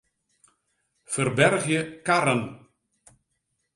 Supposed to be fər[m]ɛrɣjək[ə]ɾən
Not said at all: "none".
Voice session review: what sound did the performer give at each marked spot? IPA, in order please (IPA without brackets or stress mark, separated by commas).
b, a